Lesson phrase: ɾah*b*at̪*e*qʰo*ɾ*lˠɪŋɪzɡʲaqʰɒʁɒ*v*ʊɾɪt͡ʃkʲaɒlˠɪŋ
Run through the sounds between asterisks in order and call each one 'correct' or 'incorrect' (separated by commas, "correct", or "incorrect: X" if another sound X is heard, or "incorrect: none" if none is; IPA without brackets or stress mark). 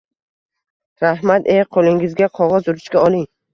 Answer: incorrect: m, correct, incorrect: none, incorrect: z